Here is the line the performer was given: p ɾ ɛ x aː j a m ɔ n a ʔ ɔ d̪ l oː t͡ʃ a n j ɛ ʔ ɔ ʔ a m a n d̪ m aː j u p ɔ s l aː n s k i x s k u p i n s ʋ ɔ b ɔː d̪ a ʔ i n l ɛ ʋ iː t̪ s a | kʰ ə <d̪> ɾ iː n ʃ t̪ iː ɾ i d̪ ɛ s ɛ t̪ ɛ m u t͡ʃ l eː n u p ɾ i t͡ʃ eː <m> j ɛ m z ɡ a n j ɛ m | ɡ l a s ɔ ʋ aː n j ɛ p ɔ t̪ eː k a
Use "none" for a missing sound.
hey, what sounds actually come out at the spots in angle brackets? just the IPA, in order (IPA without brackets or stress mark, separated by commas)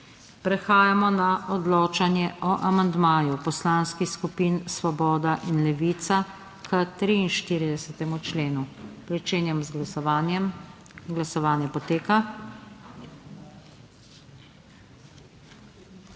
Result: t̪, n